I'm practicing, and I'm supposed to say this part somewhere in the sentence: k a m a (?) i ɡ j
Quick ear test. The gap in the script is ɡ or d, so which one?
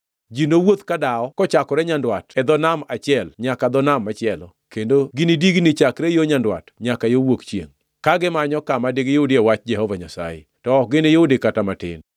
d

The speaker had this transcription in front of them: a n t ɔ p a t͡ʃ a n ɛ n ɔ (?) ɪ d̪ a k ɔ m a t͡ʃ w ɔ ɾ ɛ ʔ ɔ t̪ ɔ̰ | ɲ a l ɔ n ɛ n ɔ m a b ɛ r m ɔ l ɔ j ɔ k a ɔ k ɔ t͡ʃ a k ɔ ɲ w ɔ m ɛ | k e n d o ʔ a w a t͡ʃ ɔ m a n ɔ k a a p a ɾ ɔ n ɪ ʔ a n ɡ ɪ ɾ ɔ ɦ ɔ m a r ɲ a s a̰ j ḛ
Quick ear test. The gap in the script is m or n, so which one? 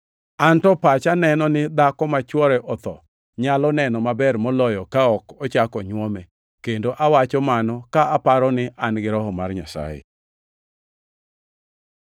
n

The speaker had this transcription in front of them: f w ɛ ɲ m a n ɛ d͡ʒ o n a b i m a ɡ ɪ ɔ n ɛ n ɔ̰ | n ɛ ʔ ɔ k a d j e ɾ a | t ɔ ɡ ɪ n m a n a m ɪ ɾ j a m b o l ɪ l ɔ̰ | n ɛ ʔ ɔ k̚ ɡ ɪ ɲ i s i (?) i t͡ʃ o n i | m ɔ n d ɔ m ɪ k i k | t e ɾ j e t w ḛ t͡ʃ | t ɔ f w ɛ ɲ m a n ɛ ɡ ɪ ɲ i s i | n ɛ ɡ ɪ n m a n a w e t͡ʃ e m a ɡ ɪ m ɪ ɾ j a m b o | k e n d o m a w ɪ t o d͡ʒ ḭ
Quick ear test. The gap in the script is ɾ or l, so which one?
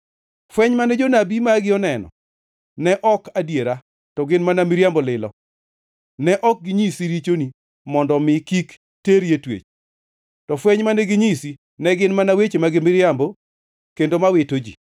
ɾ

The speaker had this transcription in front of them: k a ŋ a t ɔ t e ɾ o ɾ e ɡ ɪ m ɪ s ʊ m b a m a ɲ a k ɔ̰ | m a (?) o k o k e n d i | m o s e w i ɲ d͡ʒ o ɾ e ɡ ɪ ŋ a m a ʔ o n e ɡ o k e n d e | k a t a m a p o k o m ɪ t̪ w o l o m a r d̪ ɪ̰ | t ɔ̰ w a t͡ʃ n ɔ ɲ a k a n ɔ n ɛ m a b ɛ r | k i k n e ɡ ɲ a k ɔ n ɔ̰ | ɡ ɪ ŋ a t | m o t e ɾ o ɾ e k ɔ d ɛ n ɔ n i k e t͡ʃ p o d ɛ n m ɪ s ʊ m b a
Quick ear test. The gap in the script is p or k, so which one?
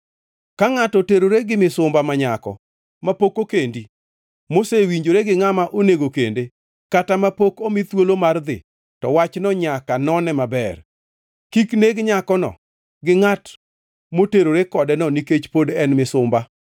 p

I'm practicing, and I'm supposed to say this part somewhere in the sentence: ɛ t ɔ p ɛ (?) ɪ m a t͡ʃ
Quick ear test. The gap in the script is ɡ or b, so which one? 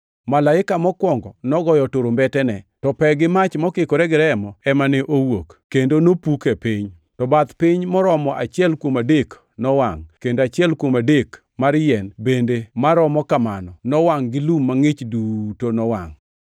ɡ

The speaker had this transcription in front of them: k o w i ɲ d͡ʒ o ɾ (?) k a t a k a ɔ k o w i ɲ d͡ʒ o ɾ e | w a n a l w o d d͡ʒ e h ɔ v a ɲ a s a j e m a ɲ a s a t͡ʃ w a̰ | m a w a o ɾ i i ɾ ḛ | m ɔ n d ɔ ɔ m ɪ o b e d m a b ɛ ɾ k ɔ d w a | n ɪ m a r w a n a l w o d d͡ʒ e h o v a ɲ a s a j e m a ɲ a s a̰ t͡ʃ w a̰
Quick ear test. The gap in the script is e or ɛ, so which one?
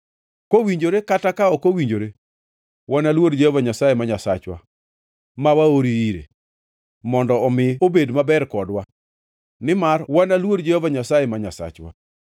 e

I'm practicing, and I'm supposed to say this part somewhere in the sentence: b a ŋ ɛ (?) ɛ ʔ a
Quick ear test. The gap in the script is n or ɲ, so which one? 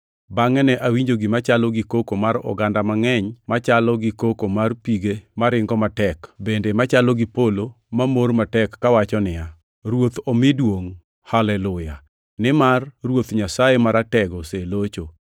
n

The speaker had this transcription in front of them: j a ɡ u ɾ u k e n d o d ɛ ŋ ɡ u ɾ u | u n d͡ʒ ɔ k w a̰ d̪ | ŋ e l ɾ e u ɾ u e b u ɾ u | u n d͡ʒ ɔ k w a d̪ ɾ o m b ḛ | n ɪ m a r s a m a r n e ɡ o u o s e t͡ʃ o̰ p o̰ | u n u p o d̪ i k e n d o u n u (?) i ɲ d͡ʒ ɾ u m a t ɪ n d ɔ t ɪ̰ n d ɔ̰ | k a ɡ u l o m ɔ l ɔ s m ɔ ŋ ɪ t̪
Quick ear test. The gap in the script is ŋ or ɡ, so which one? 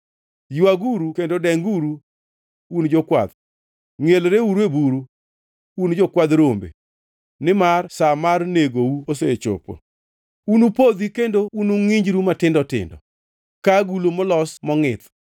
ŋ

